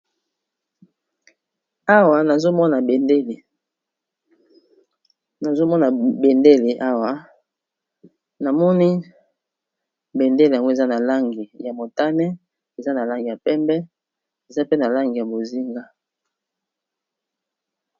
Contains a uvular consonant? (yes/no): no